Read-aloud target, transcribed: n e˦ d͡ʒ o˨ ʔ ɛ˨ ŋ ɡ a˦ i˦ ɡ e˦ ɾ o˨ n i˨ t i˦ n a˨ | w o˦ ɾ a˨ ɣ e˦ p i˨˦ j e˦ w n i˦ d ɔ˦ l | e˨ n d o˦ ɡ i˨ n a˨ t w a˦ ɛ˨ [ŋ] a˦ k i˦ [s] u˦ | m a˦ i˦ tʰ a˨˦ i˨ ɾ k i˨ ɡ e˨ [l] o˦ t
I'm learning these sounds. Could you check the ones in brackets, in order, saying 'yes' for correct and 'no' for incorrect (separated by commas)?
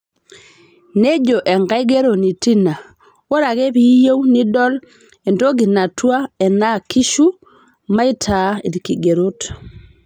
no, no, no